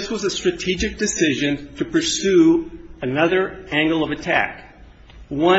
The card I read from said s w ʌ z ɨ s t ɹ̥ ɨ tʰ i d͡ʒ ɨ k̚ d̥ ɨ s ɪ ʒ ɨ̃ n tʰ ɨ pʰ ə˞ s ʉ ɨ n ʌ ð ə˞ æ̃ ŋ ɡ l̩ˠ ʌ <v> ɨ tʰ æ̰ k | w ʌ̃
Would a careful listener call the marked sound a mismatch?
no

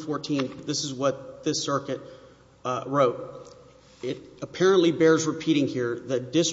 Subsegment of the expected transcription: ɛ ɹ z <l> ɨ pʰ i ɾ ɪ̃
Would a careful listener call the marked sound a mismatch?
yes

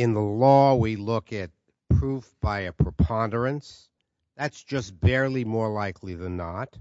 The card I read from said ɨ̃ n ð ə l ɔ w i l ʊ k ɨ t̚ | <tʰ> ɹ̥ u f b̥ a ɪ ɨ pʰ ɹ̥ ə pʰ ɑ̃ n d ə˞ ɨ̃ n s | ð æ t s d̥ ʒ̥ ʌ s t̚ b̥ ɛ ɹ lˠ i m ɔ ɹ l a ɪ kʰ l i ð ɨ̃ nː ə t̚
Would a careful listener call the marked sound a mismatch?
yes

